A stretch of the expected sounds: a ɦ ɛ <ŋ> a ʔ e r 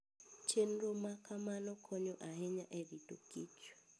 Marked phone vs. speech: incorrect: ɲ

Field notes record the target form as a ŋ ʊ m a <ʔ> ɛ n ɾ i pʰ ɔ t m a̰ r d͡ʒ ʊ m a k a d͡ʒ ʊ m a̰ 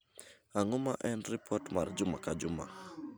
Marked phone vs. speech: correct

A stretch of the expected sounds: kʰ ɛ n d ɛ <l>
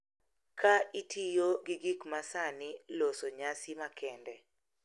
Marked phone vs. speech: incorrect: none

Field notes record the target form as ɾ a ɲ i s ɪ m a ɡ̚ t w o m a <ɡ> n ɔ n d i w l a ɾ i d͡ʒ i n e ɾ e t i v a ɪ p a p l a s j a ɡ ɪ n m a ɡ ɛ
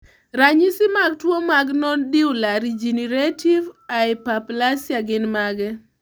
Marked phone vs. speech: correct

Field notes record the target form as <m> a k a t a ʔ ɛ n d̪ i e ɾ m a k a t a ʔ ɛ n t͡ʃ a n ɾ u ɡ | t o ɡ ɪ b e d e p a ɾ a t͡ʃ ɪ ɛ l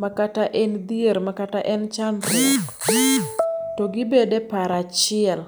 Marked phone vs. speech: correct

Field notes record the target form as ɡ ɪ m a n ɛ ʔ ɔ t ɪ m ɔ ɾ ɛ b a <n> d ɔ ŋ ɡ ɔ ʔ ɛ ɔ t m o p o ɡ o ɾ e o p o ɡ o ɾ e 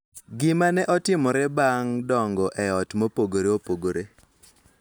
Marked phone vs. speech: incorrect: ŋ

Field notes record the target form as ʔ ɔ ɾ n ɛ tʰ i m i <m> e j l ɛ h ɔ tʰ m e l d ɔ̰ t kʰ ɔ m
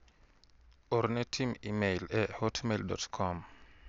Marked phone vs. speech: correct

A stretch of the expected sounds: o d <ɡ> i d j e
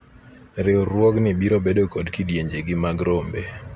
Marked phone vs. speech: incorrect: k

